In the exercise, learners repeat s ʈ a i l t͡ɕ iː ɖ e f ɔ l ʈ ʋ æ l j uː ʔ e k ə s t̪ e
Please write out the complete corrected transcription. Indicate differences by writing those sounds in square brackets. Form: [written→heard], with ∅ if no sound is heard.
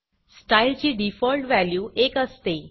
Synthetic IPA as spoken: s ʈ a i l t͡ɕ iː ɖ [e→i] f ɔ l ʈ ʋ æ l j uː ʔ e k ə s t̪ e